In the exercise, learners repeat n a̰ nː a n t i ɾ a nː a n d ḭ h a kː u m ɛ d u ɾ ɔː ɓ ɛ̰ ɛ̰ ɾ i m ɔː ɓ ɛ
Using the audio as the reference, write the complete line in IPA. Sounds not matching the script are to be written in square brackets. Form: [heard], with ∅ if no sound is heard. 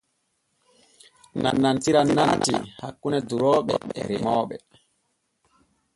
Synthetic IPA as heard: n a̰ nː a n t i ɾ a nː a n [t] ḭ h a kː u [n] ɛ d u ɾ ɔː ɓ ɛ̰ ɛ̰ ɾ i m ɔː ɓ ɛ